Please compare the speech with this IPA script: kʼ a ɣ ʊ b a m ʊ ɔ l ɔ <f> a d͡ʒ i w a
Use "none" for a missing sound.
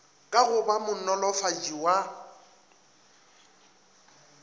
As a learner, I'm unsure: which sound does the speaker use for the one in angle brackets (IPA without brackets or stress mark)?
f